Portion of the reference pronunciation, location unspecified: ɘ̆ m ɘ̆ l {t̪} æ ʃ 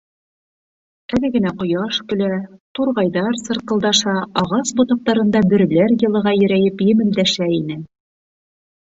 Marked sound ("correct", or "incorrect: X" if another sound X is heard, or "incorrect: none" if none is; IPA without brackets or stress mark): incorrect: d̪